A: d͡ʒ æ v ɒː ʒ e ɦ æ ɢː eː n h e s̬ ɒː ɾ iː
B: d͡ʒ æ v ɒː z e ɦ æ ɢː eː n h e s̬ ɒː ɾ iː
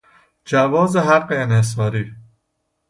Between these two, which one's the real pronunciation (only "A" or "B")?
B